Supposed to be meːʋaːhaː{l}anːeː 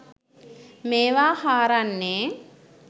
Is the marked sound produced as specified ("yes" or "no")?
no